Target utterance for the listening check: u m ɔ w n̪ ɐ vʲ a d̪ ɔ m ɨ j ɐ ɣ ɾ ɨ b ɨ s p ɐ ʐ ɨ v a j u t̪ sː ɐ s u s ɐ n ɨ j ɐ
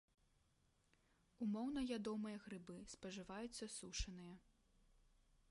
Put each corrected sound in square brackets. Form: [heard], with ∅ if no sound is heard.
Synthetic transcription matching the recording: u m ɔ w n̪ ɐ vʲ a d̪ ɔ m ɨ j ɐ ɣ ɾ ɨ b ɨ s p ɐ ʐ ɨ v a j u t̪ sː ɐ s u [ʂ] ɐ n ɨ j ɐ

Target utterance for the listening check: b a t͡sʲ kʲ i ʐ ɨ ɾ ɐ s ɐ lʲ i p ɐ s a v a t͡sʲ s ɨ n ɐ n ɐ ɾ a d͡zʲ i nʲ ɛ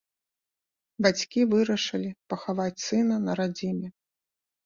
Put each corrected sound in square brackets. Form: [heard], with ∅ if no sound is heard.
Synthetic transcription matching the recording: b a t͡sʲ kʲ i [v] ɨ ɾ ɐ [ʂ] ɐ lʲ i p ɐ [x] a v a t͡sʲ s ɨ n ɐ n ɐ ɾ a d͡zʲ i [mʲ] ɛ

